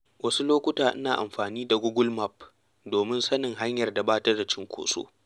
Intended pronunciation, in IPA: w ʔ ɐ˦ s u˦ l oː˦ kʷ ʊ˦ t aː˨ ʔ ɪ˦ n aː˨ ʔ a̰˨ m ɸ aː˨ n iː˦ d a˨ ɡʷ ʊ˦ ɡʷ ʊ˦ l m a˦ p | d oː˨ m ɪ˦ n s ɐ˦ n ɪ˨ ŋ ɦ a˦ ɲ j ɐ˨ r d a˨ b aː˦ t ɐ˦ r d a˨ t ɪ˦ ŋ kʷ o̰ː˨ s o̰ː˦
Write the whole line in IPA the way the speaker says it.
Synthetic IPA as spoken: w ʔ ɐ˦ s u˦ l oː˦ kʷ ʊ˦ t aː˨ ʔ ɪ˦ n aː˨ ʔ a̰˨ m ɸ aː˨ n iː˦ d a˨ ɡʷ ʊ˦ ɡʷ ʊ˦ l m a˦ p | d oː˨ m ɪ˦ n s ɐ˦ n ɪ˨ ŋ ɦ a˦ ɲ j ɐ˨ r d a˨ b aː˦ t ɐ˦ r d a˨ t͡ʃ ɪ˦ ŋ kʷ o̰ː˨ s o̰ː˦